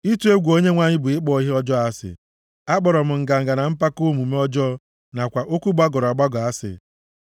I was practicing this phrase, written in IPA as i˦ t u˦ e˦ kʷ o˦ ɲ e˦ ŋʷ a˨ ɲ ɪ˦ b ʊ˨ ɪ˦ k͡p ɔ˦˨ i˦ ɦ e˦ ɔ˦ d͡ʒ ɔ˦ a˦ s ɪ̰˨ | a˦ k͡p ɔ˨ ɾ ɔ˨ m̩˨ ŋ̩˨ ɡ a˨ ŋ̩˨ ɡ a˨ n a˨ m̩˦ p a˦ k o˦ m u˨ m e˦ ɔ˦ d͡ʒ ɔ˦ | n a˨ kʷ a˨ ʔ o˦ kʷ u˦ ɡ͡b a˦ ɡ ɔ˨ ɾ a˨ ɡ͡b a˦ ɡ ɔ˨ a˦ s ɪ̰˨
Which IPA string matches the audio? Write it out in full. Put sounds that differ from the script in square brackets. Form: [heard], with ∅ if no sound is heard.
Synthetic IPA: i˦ t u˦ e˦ [ɡʷ] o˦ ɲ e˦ ŋʷ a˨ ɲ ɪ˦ b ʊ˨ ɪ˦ k͡p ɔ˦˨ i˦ ɦ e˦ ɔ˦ d͡ʒ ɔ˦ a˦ s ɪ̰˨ | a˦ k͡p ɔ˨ ɾ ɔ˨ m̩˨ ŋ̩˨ ɡ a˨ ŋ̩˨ ɡ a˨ n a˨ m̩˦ p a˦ k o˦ m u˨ m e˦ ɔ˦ d͡ʒ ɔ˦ | n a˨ kʷ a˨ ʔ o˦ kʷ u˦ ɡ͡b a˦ ɡ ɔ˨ ɾ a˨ ɡ͡b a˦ ɡ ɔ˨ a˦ s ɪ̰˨